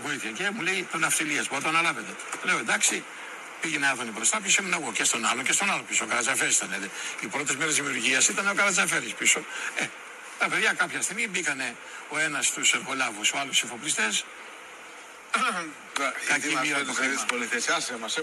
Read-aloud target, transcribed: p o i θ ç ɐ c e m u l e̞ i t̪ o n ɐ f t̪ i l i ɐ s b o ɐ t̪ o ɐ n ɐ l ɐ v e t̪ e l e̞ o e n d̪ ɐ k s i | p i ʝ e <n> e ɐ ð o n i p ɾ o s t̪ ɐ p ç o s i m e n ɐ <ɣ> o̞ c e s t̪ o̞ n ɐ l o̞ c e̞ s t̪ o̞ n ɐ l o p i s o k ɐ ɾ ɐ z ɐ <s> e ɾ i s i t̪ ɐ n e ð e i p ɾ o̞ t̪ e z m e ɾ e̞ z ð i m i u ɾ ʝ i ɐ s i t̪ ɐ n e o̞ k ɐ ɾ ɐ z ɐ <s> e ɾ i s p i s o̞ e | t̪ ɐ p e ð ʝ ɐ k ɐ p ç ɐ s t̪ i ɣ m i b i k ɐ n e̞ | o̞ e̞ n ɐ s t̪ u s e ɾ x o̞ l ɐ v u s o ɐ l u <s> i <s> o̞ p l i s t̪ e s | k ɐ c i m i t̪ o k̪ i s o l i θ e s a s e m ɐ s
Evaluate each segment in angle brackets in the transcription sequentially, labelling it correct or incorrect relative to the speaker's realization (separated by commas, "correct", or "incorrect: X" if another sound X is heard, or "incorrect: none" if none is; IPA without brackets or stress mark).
correct, correct, incorrect: f, incorrect: f, correct, incorrect: f